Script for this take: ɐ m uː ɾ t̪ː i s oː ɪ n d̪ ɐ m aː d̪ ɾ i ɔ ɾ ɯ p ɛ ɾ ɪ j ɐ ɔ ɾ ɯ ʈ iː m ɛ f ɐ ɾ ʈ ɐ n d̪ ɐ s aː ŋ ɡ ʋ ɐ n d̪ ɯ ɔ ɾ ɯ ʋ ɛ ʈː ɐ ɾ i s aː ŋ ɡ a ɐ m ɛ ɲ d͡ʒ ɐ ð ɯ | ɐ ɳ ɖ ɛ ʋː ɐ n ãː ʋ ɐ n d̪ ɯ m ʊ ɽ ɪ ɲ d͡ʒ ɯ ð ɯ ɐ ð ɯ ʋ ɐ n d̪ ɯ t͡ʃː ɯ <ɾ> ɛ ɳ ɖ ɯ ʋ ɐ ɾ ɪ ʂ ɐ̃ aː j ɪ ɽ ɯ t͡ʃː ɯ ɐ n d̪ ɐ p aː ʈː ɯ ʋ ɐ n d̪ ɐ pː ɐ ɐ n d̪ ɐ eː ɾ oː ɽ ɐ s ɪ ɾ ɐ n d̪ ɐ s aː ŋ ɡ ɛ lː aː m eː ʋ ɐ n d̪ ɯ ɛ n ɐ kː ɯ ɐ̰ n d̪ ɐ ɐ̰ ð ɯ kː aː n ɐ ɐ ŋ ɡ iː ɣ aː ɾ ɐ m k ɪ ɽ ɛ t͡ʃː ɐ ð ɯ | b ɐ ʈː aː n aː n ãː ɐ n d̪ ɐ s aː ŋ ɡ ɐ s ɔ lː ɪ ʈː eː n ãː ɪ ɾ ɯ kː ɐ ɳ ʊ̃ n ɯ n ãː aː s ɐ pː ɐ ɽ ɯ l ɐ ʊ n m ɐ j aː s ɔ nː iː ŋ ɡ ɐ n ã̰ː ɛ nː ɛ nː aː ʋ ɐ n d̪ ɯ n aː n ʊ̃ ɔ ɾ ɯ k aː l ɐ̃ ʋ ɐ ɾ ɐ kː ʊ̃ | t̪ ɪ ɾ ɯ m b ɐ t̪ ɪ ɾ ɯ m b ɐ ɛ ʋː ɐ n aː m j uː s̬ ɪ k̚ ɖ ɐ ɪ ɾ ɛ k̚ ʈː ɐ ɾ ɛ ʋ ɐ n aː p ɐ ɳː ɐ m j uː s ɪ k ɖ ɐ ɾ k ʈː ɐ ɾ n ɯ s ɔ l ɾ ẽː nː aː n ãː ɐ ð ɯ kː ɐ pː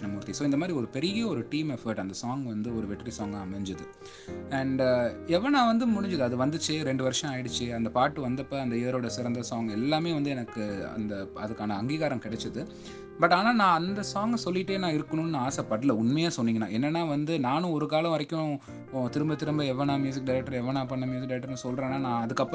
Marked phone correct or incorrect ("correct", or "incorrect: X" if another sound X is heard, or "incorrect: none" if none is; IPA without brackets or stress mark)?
correct